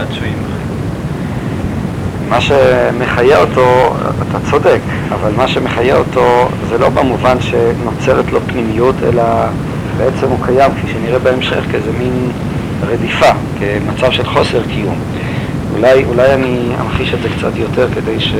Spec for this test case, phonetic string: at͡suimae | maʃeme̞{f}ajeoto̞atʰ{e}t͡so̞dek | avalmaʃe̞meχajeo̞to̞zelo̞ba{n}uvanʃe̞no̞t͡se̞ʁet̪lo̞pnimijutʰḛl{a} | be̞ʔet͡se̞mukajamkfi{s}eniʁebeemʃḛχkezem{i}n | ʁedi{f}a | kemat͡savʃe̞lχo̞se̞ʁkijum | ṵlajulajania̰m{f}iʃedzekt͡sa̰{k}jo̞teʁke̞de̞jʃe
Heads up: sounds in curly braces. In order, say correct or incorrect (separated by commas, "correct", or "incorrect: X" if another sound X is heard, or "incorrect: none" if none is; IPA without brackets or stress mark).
incorrect: χ, incorrect: a, incorrect: m, correct, incorrect: ʃ, correct, correct, incorrect: χ, incorrect: t